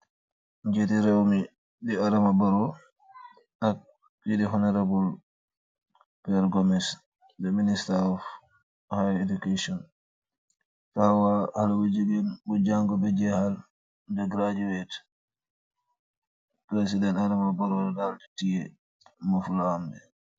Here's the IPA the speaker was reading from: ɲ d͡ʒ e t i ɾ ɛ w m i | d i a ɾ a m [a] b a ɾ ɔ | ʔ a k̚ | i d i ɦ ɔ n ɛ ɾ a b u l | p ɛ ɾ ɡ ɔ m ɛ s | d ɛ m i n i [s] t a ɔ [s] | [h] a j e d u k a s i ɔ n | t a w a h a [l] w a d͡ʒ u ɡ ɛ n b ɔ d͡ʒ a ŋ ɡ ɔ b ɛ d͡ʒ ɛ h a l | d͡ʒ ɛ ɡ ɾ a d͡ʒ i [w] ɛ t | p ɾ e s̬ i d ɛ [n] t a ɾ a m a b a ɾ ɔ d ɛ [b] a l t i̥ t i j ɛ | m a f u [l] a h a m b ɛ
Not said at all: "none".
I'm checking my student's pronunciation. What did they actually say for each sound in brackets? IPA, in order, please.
a, s, f, h, l, w, n, d, l

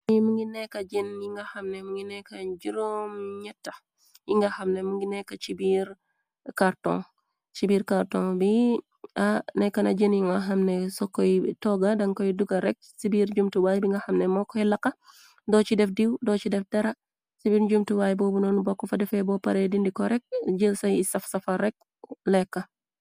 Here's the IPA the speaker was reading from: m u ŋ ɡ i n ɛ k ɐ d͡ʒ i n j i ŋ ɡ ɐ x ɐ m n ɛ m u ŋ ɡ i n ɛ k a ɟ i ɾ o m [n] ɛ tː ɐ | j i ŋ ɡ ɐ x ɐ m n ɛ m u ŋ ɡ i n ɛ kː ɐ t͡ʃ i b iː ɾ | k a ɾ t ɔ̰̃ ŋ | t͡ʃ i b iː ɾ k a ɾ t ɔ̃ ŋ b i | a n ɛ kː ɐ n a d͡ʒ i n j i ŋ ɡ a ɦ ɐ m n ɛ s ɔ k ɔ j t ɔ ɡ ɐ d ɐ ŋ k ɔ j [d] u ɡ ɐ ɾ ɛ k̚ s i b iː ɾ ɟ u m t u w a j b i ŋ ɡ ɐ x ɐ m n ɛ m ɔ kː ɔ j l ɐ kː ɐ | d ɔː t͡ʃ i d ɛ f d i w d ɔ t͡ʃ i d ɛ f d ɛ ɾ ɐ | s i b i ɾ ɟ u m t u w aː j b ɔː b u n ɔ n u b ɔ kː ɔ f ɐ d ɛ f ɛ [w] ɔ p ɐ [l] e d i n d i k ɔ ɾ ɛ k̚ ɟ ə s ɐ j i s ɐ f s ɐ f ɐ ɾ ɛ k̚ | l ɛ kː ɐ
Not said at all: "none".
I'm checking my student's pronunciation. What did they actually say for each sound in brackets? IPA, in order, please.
ɲ, d, b, ɾ

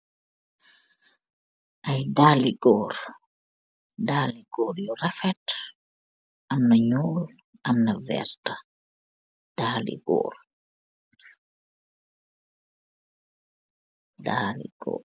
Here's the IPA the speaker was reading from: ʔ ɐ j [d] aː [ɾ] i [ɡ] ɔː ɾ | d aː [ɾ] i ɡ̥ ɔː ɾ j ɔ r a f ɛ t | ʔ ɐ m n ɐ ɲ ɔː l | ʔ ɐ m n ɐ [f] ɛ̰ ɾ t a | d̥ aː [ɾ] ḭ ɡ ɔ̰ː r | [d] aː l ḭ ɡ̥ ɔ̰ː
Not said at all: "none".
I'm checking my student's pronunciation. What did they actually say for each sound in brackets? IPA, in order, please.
d, l, ɡ, l, v, l, d

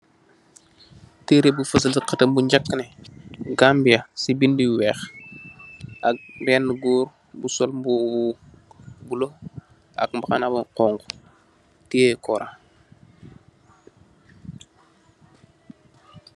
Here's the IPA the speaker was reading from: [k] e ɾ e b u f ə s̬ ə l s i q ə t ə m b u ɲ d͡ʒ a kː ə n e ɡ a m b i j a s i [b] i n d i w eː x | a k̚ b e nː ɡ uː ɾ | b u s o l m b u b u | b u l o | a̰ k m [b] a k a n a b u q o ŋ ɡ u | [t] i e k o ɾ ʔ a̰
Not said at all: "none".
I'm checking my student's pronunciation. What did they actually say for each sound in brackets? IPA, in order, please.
t, b, b, t

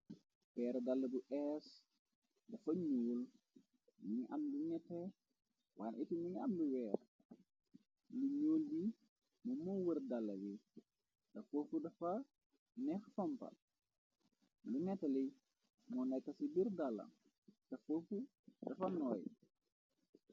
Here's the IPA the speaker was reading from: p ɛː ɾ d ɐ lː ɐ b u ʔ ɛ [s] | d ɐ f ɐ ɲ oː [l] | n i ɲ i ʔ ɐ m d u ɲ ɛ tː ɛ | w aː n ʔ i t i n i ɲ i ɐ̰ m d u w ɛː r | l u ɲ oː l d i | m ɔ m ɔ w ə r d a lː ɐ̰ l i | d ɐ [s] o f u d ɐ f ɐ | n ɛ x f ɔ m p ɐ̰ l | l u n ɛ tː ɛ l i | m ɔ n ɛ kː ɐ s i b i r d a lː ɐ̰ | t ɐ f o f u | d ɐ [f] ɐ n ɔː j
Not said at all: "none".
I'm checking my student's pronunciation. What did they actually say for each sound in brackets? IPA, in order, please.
s, l, f, f

